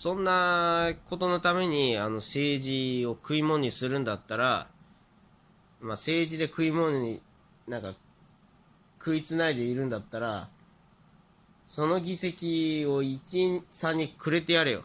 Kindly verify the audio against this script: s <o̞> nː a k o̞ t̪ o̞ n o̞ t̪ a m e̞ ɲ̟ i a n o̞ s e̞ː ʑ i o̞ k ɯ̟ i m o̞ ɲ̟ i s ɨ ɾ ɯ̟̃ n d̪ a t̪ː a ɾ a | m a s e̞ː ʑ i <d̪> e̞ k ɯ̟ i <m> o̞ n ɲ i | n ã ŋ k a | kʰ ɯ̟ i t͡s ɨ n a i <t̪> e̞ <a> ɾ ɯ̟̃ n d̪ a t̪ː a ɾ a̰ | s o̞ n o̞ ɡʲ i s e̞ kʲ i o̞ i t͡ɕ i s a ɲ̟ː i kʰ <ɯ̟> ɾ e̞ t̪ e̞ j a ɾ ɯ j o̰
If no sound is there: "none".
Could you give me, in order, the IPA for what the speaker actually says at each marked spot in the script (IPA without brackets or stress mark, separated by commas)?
õ̞, d̪, m, d̪, i, ɯ̟